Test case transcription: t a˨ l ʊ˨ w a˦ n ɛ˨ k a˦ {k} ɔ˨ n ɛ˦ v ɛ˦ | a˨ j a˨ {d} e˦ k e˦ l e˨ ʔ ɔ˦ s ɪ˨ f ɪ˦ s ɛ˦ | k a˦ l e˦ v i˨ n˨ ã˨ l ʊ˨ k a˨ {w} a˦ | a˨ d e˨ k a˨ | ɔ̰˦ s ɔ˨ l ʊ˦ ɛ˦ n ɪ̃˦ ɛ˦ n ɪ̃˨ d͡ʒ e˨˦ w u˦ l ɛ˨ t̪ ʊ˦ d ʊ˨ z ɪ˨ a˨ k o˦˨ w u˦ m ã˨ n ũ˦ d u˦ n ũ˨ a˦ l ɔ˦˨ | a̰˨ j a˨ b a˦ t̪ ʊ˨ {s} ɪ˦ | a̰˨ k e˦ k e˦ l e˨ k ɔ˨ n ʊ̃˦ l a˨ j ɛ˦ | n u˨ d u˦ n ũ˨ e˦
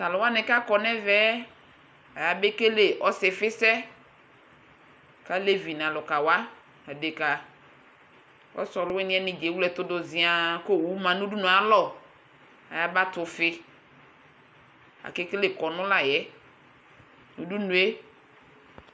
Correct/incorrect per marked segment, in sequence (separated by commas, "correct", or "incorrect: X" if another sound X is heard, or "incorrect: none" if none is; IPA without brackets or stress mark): correct, incorrect: b, correct, incorrect: f